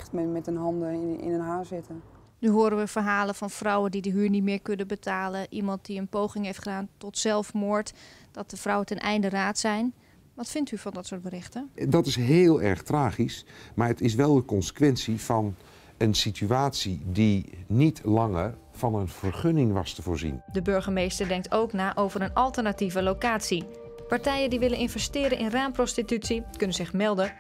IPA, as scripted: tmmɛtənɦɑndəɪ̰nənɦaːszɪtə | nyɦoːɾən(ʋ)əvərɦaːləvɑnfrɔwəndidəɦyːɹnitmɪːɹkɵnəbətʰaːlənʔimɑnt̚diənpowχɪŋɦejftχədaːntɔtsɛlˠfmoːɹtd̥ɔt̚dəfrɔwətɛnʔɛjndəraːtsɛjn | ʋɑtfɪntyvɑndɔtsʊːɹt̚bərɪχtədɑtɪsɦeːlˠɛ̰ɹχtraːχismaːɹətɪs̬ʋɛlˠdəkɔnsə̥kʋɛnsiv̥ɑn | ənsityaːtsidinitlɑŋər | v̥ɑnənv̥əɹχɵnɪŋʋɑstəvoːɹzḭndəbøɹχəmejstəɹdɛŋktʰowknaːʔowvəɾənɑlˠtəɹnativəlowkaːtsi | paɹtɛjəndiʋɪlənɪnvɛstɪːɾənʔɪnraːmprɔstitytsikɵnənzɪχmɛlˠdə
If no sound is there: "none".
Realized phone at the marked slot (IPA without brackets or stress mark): ʋ